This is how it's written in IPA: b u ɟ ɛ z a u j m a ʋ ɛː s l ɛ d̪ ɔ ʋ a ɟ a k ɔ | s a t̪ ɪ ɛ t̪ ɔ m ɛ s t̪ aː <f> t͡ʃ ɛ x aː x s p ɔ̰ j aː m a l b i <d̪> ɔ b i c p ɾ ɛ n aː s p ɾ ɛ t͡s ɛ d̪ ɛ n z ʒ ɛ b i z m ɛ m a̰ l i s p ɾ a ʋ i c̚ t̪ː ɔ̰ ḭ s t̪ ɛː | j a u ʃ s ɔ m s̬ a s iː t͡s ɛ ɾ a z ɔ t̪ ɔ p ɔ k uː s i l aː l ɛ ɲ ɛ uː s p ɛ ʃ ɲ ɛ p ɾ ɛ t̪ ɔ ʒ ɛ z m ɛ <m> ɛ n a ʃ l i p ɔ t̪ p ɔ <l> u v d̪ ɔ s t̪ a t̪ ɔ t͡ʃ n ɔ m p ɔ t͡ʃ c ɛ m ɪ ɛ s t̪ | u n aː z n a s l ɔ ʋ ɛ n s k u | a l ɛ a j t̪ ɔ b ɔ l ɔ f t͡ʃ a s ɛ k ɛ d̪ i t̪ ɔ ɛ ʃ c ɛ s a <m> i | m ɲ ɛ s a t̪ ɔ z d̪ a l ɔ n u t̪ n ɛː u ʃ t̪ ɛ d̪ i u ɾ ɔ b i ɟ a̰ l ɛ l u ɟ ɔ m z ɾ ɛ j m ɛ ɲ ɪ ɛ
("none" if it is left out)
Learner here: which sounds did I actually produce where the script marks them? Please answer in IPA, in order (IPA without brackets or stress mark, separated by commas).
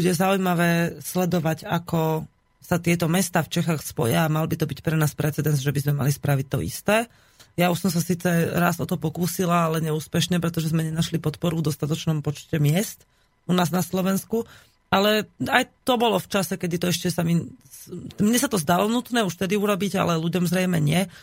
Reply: f, t̪, ɲ, ɾ, m